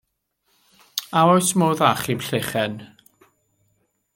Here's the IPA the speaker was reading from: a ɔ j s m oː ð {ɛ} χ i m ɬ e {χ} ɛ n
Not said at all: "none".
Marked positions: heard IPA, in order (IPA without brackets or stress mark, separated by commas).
a, χ